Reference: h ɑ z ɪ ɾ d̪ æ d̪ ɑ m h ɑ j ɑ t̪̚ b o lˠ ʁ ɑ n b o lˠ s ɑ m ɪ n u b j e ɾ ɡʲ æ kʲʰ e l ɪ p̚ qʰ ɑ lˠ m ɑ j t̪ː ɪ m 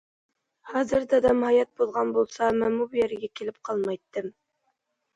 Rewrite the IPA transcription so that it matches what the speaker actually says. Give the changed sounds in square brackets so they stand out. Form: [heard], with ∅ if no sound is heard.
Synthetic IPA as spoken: h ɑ z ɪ ɾ d̪ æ d̪ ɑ m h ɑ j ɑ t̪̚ b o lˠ ʁ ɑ n b o lˠ s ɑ m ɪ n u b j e ɾ ɡʲ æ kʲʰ e l ɪ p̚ qʰ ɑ lˠ m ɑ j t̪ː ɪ m